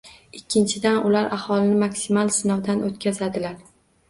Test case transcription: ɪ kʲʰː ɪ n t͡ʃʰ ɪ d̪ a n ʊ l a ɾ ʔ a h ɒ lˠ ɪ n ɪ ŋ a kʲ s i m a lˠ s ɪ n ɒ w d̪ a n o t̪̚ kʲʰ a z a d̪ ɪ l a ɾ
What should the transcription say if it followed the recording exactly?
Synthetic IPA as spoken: ɪ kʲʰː ɪ n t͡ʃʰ ɪ d̪ a n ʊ l a ɾ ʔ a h ɒ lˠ ɪ n ɪ m a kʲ s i m a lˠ s ɪ n ɒ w d̪ a n o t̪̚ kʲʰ a z a d̪ ɪ l a ɾ

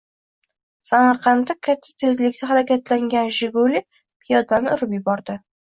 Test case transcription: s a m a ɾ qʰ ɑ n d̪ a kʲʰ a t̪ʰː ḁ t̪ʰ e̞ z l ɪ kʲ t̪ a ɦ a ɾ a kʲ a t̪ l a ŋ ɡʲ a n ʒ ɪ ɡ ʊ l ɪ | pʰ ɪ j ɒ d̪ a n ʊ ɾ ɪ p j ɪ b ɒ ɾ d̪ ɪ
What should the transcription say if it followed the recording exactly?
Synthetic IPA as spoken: s a m a ɾ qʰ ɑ n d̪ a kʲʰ a t̪ʰː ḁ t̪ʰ e̞ z l ɪ kʲ t̪ a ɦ a ɾ a kʲ a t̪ l a ŋ ɡʲ a n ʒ ɪ ɡ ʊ l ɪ | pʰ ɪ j ɒ d̪ a n ʊ ɾ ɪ p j ɪ b ɒ ɾ d̪ ɪ

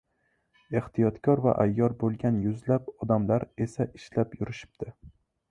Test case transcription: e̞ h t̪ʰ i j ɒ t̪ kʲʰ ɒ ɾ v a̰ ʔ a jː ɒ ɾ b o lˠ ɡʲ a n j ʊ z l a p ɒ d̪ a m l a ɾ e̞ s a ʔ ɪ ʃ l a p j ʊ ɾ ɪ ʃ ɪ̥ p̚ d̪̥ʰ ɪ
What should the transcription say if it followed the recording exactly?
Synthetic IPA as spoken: e̞ h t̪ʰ i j ɒ t̪ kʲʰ ɒ ɾ v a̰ ʔ a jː ɒ ɾ b o lˠ ɡʲ a n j ʊ z l a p ɒ d̪ a m l a ɾ e̞ s a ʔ ɪ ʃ l a p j ʊ ɾ ɪ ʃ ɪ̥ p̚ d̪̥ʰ ɪ

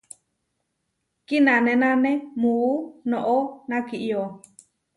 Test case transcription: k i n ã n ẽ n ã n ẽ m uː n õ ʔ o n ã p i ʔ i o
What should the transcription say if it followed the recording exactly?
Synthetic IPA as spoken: k i n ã n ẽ n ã n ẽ m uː n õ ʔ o n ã k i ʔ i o

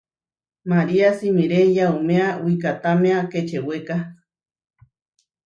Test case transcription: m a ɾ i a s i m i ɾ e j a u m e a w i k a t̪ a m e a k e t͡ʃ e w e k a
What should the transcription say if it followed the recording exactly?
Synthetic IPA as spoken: m a ɾ i a s i m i ɾ e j a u m e a w i k a t̪ a m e a k e t͡ʃ e w e k a

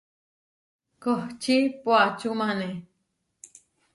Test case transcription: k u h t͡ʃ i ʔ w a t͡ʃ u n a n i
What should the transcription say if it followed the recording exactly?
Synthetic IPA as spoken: k o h t͡ʃ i p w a t͡ʃ u m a n e

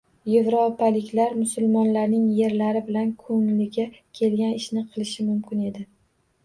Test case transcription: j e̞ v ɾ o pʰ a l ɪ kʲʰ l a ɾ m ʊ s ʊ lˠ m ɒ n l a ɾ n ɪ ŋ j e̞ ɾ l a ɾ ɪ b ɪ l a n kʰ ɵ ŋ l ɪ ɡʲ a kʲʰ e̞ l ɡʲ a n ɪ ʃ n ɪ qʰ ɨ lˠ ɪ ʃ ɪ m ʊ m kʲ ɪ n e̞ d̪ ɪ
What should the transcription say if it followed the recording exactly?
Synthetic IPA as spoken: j e̞ v ɾ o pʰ a l ɪ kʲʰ l a ɾ m ʊ s ʊ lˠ m ɒ n l a ɾ n ɪ ŋ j e̞ ɾ l a ɾ ɪ b ɪ l a n kʰ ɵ ŋ l ɪ ɡʲ a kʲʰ e̞ l ɡʲ a n ɪ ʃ n ɪ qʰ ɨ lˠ ɪ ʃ ɪ m ʊ m kʲ ɪ n e̞ d̪ ɪ

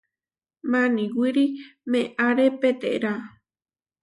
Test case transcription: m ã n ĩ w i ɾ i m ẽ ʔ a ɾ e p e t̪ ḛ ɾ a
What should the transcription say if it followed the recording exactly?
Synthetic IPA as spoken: m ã n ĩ w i ɾ i m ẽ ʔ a ɾ e p e t̪ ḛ ɾ a

